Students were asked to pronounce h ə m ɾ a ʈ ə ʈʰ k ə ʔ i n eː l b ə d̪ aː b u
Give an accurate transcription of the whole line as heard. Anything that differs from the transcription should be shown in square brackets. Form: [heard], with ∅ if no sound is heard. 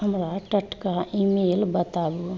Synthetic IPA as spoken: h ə m ɾ a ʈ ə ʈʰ k [a] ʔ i [m] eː l b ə [t̪] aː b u